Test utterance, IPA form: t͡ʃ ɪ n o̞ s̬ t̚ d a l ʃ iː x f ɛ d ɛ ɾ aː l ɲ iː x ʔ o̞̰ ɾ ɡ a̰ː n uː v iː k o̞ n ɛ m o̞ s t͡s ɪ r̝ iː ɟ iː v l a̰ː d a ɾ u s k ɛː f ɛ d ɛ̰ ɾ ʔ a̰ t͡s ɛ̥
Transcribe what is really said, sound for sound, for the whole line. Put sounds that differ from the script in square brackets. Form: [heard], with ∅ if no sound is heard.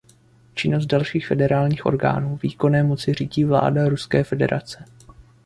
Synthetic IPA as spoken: t͡ʃ ɪ n o̞ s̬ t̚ d a l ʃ iː x f ɛ d ɛ ɾ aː l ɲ iː x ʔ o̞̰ ɾ ɡ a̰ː n uː v iː k o̞ n [ɛː] m o̞ [∅] t͡s ɪ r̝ iː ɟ iː v l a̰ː d a ɾ u s k ɛː f ɛ d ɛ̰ ɾ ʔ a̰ t͡s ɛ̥